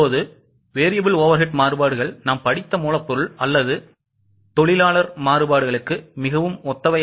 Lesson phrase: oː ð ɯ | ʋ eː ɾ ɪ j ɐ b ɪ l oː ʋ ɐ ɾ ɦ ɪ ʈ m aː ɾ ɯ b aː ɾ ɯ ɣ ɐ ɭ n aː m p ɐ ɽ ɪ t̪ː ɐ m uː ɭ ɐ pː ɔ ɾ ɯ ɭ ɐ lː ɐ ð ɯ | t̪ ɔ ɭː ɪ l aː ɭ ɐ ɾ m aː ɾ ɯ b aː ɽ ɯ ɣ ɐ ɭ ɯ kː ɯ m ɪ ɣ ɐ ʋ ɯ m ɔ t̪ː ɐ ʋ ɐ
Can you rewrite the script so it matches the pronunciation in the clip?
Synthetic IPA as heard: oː ð ɯ | ʋ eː ɾ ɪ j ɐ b ɪ l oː ʋ ɐ ɾ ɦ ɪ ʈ m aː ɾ ɯ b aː ɽ ɯ ɣ ɐ ɭ n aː m p ɐ ɽ ɪ t̪ː ɐ m uː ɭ ɐ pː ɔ ɾ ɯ ɭ ɐ lː ɐ ð ɯ | t̪ ɔ ɭ ɪ l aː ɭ ɐ ɾ m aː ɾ ɯ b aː ɽ ɯ ɣ ɐ ɭ ɯ kː ɯ m ɪ ɣ ɐ ʋ ɯ m ɔ t̪ː ɐ ʋ ɐ

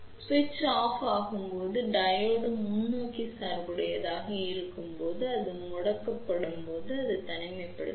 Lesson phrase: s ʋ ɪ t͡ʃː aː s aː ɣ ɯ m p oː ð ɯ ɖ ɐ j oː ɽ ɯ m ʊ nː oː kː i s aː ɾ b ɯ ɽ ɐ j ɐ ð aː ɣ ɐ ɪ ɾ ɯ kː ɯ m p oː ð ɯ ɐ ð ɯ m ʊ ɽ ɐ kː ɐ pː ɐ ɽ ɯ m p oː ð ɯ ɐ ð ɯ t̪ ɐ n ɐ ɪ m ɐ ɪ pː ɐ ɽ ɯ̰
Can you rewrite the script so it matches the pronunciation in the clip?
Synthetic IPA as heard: s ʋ ɪ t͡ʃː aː f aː ɣ ɯ m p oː ð ɯ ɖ ɐ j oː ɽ ɯ m ʊ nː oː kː i s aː ɾ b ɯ ɽ ɐ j ɐ ð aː ɣ ɐ ɪ ɾ ɯ kː ɯ m p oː ð ɯ ɐ ð ɯ m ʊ ɽ ɐ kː ɐ pː ɐ ɽ ɯ m p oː ð ɯ ɐ ð ɯ t̪ ɐ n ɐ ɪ m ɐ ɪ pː ɐ ɽ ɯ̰

